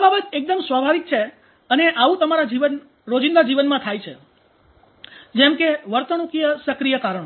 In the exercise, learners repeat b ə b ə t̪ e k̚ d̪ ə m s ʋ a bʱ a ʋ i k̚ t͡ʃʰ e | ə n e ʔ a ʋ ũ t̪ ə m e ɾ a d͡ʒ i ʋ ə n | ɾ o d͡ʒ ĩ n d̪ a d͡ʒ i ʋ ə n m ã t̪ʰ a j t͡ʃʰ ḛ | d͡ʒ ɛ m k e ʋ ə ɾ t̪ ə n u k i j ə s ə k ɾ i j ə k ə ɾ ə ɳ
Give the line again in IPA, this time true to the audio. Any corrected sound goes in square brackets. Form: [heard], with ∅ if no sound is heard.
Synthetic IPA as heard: b [a] b ə t̪ e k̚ d̪ ə m s ʋ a bʱ a ʋ i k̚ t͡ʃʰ e | ə n e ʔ a ʋ ũ t̪ ə m [a] ɾ a d͡ʒ i ʋ ə n | ɾ o d͡ʒ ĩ n d̪ a d͡ʒ i ʋ ə n m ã t̪ʰ a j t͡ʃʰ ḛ | d͡ʒ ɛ m k e ʋ ə ɾ t̪ ə n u k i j ə s ə k ɾ i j ə k [a] ɾ ə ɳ

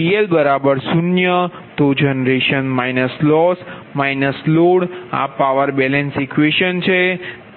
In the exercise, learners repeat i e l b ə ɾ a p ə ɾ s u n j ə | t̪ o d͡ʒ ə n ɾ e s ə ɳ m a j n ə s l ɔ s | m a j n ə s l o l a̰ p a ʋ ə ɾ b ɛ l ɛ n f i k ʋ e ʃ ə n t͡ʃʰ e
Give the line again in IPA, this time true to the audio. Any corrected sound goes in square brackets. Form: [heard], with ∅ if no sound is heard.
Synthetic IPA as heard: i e l b ə ɾ a [b] ə ɾ s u n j ə | t̪ o d͡ʒ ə n ɾ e [ʃ] ə [n] m a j n ə s l ɔ s | m a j n ə s l o [ɽ] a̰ p a ʋ ə ɾ b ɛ l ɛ n [s] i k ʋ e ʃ ə n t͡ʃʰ e

